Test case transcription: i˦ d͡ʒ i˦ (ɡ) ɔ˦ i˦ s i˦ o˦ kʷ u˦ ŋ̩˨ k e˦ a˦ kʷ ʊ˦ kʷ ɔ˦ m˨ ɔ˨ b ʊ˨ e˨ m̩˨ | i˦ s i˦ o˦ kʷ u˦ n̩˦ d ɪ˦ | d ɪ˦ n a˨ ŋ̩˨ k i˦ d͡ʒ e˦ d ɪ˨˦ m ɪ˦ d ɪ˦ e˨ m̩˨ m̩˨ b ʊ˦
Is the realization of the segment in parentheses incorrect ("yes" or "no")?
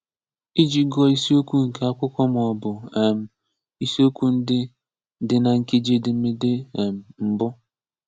no